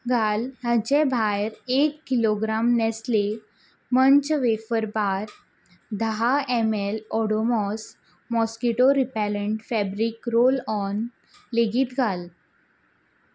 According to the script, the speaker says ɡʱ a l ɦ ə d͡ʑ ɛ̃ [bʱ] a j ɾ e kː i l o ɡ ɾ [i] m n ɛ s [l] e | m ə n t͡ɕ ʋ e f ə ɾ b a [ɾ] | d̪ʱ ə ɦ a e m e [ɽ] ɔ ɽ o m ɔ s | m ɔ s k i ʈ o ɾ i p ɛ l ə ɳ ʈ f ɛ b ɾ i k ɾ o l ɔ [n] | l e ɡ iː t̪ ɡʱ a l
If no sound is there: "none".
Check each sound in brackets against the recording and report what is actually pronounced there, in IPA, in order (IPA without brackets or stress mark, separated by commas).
bʱ, a, l, ɾ, l, n